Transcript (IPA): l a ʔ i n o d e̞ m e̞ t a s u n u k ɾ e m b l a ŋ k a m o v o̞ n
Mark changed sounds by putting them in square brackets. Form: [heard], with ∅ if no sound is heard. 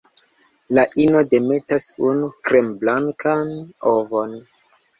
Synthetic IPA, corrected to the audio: l a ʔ i n o d e̞ m e̞ t a s u n u k ɾ e m b l a ŋ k a [n] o v o̞ n